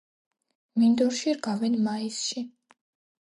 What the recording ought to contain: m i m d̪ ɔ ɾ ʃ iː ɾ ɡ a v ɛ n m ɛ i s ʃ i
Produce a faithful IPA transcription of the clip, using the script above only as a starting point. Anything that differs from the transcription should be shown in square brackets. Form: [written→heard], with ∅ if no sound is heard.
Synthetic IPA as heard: m i [m→n] d̪ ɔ ɾ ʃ [iː→i] ɾ ɡ a v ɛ n m [ɛ→a] i s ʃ i